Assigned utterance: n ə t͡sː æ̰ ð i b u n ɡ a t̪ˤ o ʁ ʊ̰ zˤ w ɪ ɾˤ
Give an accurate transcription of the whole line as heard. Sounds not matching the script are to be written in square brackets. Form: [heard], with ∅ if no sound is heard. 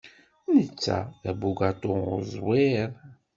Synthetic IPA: n ə t͡sː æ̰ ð [æ] b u [∅] ɡ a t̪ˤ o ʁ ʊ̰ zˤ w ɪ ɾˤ